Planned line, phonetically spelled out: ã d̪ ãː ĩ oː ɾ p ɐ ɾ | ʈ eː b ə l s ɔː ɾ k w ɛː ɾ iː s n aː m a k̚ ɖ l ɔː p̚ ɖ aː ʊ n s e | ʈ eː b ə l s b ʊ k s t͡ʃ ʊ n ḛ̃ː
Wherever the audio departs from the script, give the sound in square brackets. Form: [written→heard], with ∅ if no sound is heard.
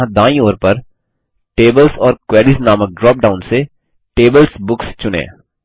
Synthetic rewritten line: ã d̪ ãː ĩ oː ɾ p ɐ ɾ | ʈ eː b ə l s ɔː ɾ k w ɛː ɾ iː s n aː m [a→ə] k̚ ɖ [l→ɾ] ɔː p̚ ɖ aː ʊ n s e | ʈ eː b ə l s b ʊ k s t͡ʃ ʊ n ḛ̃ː

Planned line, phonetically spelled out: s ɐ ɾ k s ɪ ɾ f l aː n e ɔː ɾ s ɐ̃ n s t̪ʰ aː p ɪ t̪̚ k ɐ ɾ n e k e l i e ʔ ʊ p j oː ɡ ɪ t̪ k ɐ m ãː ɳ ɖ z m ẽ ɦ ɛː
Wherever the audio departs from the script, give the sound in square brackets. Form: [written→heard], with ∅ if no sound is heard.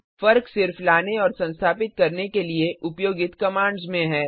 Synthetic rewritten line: [s→f] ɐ ɾ k s ɪ ɾ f l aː n e ɔː ɾ s ɐ̃ n s t̪ʰ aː p ɪ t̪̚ k ɐ ɾ n e k e l i e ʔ ʊ p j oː ɡ ɪ t̪ k ɐ m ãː ɳ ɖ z m ẽ ɦ ɛː

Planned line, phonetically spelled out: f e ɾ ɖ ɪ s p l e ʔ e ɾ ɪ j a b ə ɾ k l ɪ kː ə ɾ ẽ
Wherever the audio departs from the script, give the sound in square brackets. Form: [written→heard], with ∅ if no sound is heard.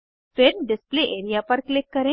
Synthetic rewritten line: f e ɾ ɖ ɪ s p l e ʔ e ɾ [ɪ→i] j a [b→p] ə ɾ k l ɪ kː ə ɾ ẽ

